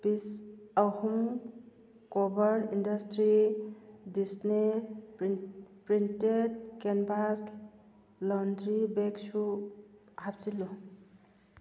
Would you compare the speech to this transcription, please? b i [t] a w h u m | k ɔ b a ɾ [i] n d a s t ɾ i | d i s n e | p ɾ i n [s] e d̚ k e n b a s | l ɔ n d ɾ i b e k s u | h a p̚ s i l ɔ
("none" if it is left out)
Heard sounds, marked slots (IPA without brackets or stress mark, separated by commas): s, i, t